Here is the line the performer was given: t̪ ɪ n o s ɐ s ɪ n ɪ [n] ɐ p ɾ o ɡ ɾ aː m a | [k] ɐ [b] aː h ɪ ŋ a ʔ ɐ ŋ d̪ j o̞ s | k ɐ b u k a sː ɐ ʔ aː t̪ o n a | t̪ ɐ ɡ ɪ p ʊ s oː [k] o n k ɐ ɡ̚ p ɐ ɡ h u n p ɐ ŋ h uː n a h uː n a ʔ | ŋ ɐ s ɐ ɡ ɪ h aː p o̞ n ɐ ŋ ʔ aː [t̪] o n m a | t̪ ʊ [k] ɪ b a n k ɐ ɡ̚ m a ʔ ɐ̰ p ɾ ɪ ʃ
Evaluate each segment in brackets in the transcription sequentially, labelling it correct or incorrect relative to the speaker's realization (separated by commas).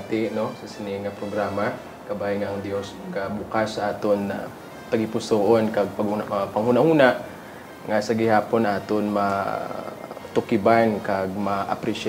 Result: incorrect, correct, correct, incorrect, correct, correct